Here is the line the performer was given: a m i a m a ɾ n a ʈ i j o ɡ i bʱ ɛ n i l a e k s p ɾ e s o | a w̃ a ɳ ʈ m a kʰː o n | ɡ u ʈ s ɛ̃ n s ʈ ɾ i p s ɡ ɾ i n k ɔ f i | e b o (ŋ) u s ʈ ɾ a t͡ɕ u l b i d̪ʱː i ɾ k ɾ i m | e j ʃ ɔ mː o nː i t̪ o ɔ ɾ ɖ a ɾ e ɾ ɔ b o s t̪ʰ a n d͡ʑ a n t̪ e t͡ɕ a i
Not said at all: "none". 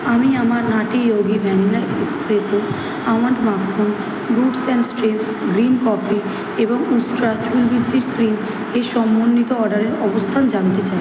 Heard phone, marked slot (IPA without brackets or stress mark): ŋ